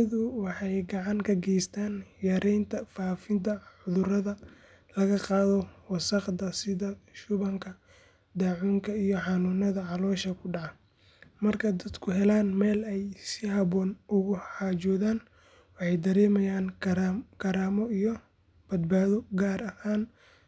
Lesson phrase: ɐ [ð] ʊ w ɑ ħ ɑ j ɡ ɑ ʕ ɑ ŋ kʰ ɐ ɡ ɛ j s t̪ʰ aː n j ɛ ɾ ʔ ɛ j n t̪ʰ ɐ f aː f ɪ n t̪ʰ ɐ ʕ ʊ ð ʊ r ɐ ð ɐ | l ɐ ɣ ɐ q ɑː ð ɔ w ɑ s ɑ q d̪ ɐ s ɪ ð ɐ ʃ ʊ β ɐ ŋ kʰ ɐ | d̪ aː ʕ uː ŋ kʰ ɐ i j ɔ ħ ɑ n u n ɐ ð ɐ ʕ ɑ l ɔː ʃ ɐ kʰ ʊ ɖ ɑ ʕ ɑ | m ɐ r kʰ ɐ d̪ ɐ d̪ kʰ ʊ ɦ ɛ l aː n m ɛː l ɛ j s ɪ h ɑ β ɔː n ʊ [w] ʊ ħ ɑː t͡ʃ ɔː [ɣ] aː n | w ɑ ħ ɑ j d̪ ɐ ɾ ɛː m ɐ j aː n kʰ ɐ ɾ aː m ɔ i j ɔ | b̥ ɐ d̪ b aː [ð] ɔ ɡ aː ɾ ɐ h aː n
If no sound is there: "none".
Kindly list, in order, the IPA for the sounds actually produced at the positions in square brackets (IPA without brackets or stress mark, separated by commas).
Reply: ð, ɣ, ð, ð